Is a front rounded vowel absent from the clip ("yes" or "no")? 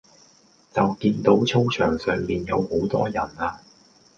no